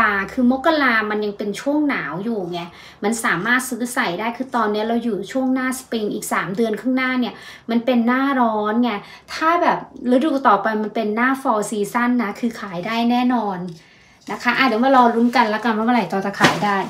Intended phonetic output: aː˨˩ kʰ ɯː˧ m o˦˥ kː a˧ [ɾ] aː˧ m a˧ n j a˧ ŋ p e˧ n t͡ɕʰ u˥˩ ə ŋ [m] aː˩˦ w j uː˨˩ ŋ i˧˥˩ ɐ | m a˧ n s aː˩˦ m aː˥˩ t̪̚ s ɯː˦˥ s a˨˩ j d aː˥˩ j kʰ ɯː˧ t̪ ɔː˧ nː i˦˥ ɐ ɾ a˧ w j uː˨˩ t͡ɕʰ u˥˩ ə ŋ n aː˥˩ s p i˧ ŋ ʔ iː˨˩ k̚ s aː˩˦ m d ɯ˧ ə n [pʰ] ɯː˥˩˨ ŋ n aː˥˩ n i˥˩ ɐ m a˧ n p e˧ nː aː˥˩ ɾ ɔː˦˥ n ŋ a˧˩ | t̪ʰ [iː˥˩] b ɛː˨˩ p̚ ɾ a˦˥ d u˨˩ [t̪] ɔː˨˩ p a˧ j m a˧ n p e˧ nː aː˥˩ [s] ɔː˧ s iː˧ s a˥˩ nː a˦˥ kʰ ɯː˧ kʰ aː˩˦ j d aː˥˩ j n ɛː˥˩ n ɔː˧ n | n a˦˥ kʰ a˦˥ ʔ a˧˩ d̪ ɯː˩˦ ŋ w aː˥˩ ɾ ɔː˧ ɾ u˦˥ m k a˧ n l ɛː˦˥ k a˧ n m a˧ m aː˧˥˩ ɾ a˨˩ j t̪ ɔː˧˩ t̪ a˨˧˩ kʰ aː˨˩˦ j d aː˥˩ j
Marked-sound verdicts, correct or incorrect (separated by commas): incorrect, incorrect, incorrect, incorrect, correct, incorrect